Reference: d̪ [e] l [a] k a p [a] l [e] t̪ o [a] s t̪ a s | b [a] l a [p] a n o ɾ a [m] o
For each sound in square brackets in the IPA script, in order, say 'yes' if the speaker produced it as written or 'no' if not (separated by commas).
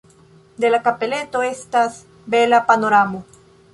yes, yes, no, yes, no, no, yes, yes